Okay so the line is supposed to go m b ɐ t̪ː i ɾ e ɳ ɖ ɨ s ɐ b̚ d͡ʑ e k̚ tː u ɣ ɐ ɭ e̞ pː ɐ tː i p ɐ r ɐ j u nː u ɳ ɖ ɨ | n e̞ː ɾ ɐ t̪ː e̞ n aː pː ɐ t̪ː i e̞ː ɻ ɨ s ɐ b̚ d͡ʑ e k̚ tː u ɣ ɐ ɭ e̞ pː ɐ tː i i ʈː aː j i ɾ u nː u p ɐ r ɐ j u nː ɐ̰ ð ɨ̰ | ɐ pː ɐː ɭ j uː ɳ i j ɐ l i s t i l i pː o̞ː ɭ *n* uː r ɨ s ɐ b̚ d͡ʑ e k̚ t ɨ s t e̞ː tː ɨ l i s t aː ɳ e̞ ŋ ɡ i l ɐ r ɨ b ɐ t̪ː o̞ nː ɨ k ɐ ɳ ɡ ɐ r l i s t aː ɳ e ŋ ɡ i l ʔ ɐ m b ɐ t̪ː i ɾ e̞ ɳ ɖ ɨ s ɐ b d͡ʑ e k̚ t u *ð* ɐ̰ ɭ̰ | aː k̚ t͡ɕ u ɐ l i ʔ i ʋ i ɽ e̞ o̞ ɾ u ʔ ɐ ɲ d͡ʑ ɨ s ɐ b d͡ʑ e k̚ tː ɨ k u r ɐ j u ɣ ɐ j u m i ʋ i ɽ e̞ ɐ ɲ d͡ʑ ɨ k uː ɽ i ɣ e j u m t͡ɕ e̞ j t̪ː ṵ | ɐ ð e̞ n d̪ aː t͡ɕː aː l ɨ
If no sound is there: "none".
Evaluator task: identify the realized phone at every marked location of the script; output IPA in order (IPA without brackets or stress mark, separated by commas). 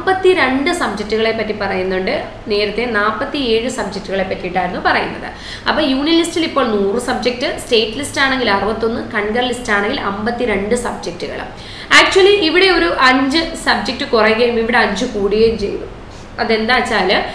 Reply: n, ɣ